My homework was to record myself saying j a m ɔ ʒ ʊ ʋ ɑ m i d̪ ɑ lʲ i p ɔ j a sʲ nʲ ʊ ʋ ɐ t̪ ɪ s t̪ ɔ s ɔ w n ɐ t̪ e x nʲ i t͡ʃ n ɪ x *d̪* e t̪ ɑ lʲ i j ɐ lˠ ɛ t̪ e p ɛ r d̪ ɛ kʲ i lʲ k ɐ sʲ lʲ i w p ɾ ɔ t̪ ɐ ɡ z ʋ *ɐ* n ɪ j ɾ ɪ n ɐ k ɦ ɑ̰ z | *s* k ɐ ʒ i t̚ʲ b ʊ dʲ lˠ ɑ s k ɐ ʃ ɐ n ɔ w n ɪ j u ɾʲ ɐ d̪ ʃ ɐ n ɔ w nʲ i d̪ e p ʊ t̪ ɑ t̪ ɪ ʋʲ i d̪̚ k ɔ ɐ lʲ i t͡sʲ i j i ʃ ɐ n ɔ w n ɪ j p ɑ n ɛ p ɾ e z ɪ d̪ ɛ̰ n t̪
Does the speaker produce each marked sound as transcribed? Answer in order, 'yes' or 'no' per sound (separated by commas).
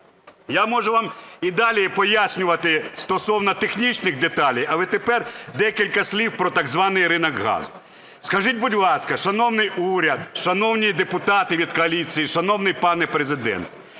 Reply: yes, no, yes